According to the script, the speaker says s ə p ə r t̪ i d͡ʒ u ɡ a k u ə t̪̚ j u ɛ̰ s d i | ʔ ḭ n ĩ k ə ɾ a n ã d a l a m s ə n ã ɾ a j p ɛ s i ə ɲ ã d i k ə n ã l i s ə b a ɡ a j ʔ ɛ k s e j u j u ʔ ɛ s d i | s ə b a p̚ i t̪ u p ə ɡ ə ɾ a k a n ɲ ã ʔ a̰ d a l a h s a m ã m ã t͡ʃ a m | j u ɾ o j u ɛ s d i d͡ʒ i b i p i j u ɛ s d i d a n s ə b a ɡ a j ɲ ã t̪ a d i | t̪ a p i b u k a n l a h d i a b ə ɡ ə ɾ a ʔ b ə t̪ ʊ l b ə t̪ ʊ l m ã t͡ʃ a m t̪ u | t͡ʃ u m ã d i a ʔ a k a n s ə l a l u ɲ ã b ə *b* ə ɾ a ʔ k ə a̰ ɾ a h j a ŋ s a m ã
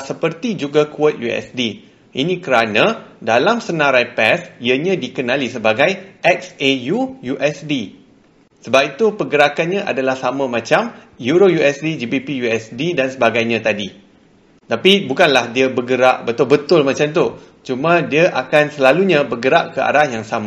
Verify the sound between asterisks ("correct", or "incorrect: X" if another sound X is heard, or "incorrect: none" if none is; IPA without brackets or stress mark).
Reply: incorrect: ɡ